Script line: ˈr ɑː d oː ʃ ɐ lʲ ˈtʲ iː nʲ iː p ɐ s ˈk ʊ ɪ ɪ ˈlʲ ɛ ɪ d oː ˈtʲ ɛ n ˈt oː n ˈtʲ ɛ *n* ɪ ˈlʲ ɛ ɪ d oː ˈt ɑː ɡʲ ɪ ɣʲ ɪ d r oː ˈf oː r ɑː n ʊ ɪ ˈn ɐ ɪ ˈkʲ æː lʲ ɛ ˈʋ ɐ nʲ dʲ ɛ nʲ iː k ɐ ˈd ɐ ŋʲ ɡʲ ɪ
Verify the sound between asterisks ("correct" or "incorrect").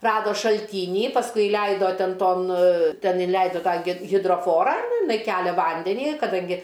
correct